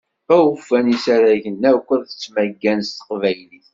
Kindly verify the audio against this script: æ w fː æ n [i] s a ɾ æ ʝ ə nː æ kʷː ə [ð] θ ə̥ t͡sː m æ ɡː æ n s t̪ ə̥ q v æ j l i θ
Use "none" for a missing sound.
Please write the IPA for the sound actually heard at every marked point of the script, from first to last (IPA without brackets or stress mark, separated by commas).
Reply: i, ð